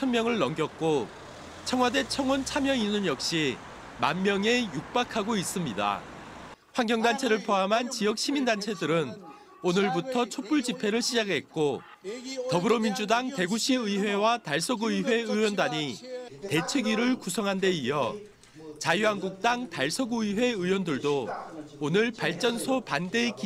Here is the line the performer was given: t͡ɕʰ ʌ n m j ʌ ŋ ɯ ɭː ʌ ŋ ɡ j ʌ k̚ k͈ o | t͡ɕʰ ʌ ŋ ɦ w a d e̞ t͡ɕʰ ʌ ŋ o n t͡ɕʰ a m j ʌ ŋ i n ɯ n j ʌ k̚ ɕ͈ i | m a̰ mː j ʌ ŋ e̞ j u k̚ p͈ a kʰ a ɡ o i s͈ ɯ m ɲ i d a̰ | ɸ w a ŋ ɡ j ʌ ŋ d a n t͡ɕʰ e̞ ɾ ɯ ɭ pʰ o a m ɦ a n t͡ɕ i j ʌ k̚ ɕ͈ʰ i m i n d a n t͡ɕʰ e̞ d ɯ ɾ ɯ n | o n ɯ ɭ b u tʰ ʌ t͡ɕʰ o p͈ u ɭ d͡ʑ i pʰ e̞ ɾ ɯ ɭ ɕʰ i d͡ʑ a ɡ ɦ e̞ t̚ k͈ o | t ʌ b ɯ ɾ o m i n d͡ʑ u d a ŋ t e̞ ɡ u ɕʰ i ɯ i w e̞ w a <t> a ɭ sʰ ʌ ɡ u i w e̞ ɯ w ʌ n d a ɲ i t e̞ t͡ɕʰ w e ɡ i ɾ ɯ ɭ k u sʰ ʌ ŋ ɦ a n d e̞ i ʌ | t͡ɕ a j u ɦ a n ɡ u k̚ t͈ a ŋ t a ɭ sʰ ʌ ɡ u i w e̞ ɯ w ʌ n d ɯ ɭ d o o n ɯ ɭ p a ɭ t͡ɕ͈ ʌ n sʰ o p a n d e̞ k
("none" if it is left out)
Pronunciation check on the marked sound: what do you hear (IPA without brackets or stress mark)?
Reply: t